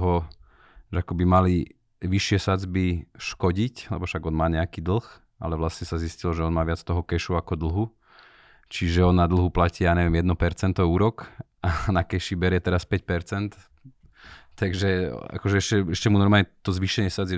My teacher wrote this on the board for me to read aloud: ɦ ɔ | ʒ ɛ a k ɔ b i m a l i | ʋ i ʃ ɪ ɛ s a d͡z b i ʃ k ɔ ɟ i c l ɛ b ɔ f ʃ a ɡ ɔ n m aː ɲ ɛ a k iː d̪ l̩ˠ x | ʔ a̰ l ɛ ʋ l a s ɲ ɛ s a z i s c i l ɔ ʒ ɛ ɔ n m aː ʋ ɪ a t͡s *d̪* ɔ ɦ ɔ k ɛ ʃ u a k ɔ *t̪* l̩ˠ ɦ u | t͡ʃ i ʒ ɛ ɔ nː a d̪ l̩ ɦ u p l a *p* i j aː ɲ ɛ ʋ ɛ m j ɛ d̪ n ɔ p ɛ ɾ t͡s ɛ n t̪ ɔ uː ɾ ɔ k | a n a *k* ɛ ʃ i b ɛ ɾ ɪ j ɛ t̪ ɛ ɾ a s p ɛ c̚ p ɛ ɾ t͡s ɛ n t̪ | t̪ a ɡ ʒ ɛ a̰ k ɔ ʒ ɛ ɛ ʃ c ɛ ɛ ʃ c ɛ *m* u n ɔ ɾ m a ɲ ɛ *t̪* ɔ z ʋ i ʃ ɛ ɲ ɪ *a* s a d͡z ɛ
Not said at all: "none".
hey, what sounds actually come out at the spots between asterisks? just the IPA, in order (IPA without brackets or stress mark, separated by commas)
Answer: t̪, d̪, c, k, m, t̪, ɛ